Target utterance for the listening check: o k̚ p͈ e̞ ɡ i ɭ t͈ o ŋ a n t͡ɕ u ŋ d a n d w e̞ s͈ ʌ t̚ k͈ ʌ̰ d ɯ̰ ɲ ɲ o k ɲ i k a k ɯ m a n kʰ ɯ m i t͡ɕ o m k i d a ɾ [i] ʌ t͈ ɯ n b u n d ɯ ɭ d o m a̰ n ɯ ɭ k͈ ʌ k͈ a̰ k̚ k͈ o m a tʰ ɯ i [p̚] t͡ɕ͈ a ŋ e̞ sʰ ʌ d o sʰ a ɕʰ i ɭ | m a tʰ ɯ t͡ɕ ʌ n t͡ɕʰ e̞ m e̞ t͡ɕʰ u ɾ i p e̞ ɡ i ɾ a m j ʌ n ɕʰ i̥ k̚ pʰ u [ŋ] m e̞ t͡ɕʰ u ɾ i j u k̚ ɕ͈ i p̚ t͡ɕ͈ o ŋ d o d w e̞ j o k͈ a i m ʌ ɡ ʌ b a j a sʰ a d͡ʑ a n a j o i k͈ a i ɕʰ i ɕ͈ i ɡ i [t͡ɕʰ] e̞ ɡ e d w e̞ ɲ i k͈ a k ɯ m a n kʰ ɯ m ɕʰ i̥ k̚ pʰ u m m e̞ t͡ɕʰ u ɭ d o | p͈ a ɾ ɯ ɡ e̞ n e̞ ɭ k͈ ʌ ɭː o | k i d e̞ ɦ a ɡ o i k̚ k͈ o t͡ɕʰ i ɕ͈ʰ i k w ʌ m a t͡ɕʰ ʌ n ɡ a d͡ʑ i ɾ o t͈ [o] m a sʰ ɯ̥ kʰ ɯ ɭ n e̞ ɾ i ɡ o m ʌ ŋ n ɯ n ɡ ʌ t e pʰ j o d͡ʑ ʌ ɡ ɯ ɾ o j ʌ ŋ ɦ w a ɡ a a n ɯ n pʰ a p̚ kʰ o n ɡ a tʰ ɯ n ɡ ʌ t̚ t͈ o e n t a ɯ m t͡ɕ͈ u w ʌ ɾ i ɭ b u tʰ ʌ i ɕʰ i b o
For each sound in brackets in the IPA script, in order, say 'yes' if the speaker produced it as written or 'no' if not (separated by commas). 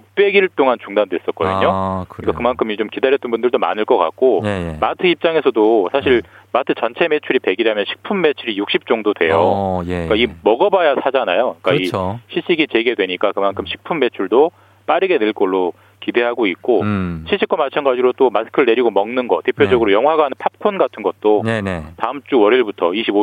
no, yes, no, no, yes